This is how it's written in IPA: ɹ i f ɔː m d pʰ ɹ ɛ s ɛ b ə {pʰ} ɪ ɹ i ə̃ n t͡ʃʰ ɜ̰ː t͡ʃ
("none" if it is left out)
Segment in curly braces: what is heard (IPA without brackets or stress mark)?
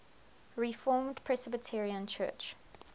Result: tʰ